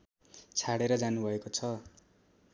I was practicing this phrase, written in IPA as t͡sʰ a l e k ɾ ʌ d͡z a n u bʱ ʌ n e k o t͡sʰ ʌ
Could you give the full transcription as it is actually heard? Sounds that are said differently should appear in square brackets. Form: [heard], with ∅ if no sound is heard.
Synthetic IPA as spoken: t͡sʰ a [ɽ] e [∅] ɾ ʌ d͡z a n u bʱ ʌ [∅] e k o t͡sʰ ʌ